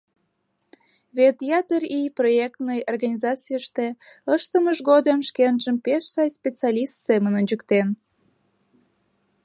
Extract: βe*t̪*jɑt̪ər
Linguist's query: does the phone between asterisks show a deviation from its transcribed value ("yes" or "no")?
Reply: no